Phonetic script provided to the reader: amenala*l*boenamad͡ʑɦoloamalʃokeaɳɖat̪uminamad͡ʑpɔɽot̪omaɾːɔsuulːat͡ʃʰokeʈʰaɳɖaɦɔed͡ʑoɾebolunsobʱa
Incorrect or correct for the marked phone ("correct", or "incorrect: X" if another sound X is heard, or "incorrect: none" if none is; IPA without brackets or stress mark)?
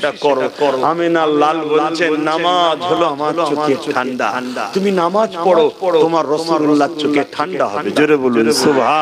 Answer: correct